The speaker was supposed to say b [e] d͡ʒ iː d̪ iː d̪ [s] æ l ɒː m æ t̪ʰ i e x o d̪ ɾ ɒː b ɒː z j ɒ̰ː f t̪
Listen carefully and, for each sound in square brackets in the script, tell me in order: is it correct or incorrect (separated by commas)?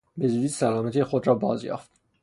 correct, correct